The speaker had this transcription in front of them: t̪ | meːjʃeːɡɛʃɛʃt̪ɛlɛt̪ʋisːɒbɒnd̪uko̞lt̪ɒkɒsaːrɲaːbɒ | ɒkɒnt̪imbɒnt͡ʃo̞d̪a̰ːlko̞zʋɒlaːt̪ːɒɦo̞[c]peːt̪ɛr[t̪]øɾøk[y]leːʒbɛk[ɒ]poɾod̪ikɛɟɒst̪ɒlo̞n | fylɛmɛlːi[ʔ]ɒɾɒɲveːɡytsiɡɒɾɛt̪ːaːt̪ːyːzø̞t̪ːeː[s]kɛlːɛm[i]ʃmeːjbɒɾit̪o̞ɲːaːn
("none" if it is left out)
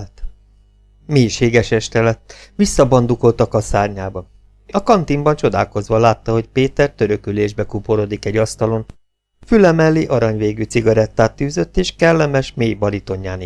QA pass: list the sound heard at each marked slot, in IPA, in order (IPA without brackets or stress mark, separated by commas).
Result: c, t̪, y, u, ʔ, ʃ, ɛ